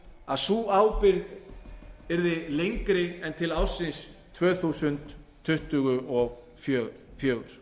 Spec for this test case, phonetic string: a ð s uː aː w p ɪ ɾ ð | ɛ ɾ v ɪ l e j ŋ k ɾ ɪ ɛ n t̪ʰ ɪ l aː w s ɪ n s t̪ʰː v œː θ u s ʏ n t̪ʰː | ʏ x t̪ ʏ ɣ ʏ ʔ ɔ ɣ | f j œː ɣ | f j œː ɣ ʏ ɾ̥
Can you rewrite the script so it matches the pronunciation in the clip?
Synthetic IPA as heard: a ð s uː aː w p ɪ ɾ ð | ɛ ɾ ð ɪ l e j ŋ k ɾ ɪ ɛ n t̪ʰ ɪ l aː w s ɪ n s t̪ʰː v œː θ u s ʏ n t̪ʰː | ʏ h t̪ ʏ ɣ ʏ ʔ ɔ ɣ | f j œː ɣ | f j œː ɣ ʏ ɾ̥